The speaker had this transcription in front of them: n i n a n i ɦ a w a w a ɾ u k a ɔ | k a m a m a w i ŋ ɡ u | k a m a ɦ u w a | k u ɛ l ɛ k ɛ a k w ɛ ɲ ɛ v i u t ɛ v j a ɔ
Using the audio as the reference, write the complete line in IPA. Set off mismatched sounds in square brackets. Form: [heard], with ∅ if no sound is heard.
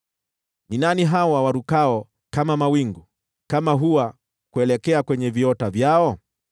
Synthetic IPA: n i n a n i ɦ a w a w a ɾ u k a ɔ | k a m a m a w i ŋ ɡ u | k a m a ɦ u w a | k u ɛ l ɛ k ɛ a k w ɛ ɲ ɛ v i [ɔ] t [a] v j a ɔ